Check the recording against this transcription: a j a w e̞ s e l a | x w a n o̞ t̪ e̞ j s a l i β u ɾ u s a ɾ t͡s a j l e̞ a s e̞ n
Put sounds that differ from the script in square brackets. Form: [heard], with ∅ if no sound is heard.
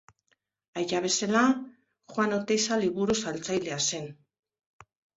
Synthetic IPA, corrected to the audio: a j a [β] e̞ s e l a | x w a n o̞ t̪ e̞ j s a l i β u ɾ u s a [l] t͡s a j l e̞ a s e̞ n